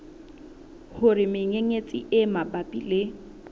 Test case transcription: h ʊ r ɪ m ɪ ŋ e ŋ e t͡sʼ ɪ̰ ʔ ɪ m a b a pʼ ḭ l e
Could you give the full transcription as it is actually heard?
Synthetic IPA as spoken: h ʊ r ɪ m ɪ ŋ e ŋ e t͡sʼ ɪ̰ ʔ ɪ m a b a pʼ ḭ l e